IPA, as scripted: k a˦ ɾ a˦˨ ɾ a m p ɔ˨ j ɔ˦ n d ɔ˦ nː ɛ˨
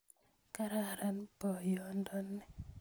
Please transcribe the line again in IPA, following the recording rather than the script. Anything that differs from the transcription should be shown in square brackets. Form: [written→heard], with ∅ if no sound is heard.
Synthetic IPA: k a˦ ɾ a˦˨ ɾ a [m→n] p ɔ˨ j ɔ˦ n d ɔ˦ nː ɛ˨